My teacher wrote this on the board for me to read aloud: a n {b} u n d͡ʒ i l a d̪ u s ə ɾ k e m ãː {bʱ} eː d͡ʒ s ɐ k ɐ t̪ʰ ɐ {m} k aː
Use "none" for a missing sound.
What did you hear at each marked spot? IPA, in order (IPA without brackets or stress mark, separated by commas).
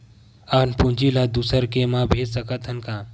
p, bʱ, n